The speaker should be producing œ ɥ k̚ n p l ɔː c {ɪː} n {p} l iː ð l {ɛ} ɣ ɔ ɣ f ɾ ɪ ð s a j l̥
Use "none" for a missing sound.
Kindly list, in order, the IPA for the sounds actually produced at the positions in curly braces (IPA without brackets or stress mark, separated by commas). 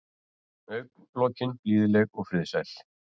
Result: ɪ, p, ɛ